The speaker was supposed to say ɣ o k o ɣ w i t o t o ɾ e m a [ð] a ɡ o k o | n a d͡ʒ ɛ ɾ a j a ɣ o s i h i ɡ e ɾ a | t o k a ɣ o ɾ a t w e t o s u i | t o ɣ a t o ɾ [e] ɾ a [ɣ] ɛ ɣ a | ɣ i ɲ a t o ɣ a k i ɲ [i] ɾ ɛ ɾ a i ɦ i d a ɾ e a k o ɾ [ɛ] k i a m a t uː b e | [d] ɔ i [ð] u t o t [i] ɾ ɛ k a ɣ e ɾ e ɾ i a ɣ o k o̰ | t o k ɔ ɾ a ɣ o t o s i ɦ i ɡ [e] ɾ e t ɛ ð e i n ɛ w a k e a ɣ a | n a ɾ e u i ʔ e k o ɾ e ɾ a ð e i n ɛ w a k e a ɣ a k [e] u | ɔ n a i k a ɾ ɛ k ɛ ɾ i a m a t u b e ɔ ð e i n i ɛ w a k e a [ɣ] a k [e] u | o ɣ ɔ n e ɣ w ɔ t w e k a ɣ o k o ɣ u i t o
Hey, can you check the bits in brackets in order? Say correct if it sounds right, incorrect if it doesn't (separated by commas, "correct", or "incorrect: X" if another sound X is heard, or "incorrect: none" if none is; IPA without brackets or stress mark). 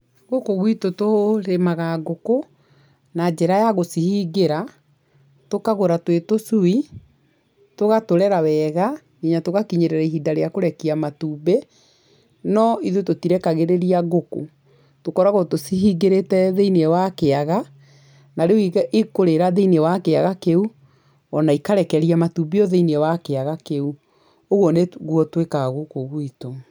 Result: incorrect: ɣ, incorrect: ɛ, incorrect: w, incorrect: e, correct, incorrect: n, correct, correct, correct, correct, correct, correct